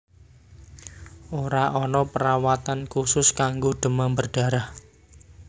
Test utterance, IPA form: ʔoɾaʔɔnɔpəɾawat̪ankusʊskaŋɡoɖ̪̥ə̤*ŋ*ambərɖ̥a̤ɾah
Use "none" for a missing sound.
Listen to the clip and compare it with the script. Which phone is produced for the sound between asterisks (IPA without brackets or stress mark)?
m